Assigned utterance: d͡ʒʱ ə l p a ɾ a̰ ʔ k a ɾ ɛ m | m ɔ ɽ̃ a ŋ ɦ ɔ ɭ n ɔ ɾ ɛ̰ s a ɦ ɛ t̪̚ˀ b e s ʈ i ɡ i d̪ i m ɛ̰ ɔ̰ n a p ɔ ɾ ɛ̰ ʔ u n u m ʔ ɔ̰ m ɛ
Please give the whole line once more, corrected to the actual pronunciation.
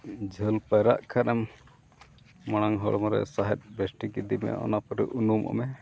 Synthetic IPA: d͡ʒʱ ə l p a ɾ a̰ ʔ kʰ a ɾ ɛ m | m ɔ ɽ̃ a ŋ ɦ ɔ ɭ m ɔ ɾ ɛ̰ s a ɦ ɛ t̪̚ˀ b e s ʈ i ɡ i d̪ i m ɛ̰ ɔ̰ n a p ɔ ɾ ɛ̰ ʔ u n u m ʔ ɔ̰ m ɛ